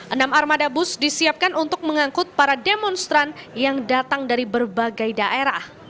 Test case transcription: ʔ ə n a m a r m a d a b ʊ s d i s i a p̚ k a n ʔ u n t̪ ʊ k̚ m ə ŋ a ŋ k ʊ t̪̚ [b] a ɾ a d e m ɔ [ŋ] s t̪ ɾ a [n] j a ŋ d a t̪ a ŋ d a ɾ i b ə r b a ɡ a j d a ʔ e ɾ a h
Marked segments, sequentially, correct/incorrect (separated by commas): incorrect, incorrect, correct